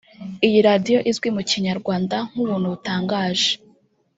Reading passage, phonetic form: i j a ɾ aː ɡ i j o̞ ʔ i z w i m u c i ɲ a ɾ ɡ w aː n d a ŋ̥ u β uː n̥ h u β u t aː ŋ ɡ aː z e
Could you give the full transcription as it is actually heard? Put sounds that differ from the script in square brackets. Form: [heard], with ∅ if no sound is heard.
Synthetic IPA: i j [i] ɾ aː [d] i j o̞ ʔ i z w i m u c i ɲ a ɾ ɡ w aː n d a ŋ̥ u β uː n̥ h u β u t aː ŋ ɡ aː [ʒ] e